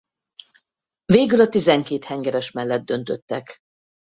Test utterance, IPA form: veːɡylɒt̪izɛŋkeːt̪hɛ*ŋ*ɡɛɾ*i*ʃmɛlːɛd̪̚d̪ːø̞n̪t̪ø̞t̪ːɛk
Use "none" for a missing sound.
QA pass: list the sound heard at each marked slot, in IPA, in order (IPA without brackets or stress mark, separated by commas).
ŋ, ɛ